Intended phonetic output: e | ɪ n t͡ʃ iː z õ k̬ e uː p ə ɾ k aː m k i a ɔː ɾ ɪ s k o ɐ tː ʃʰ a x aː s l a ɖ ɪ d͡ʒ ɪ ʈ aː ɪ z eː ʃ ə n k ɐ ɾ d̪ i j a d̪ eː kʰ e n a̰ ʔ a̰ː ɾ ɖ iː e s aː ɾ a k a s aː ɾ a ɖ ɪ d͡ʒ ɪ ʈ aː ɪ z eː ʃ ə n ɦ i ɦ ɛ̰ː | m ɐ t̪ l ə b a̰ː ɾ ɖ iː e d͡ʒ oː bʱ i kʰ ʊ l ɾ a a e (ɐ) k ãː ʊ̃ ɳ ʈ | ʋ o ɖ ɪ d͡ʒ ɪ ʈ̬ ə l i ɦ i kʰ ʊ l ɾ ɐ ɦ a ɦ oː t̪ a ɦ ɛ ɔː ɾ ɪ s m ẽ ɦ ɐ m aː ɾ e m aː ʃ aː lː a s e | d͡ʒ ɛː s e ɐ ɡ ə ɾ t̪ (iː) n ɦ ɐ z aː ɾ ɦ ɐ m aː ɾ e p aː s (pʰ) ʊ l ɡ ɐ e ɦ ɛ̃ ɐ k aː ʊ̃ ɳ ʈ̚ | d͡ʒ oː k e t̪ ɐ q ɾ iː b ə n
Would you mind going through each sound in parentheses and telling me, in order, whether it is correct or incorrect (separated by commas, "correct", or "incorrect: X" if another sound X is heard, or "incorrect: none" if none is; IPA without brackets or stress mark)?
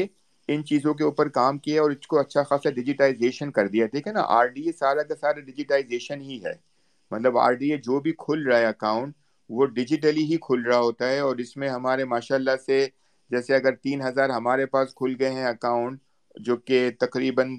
correct, correct, incorrect: kʰ